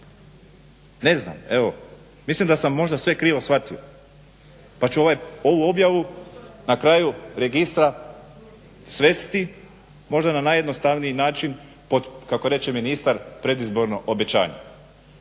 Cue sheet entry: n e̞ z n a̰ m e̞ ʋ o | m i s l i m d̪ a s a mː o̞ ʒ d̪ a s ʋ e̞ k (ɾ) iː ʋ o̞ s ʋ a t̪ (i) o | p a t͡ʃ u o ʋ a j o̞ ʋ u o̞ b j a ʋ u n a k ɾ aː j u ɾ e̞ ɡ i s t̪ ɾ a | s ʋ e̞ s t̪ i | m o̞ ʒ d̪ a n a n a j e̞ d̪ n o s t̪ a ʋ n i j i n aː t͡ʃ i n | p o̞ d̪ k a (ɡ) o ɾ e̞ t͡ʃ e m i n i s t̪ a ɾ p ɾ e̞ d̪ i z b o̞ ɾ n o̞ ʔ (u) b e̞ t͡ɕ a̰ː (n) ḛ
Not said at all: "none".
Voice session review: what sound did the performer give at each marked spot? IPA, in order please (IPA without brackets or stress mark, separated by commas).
ɾ, i, k, o, ɲ